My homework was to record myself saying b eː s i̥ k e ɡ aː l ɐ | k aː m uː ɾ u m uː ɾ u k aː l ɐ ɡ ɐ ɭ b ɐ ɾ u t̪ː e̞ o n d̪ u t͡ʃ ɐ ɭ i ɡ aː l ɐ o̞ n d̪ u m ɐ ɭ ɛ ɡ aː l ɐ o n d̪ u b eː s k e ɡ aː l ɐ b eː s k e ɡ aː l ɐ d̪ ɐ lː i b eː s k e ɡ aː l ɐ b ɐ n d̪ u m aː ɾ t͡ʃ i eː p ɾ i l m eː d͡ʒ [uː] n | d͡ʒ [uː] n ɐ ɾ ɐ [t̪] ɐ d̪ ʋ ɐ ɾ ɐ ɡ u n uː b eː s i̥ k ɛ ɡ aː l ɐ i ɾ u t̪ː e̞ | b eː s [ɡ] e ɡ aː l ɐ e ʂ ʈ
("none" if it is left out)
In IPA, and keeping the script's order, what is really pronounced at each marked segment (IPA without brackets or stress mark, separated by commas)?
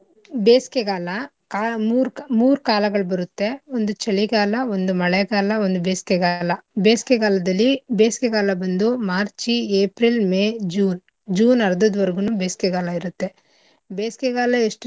uː, uː, d̪, k